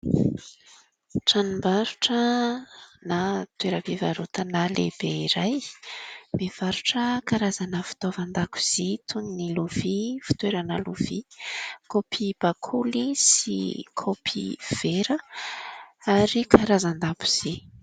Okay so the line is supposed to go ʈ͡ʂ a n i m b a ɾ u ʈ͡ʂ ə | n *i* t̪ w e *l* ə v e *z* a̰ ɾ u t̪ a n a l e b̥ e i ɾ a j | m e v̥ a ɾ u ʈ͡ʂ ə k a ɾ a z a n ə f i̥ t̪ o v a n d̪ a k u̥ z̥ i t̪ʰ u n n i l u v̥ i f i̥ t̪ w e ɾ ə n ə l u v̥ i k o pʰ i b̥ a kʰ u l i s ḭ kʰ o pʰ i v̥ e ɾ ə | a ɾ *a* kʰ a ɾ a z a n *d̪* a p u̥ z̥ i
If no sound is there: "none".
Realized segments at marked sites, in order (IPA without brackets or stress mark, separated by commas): a, ɾ, v, i, d̪